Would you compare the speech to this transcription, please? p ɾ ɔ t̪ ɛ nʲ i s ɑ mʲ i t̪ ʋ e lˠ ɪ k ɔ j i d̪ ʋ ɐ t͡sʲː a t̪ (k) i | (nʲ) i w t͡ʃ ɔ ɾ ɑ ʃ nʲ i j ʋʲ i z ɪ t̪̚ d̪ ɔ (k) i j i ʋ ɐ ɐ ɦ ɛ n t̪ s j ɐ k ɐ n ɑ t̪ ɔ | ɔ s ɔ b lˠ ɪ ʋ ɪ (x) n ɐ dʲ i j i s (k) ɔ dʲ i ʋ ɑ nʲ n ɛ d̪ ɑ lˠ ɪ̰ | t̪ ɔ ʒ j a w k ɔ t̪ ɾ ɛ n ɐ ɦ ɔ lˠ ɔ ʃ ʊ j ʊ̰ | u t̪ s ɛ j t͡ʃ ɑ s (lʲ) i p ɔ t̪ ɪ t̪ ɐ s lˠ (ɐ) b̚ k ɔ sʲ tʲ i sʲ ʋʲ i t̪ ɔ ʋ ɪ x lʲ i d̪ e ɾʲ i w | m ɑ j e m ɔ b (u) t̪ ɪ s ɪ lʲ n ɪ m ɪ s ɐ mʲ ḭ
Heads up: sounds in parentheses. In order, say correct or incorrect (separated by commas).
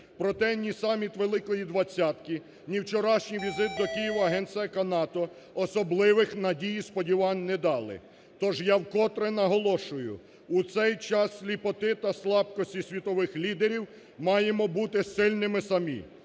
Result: correct, correct, correct, correct, incorrect, correct, incorrect, correct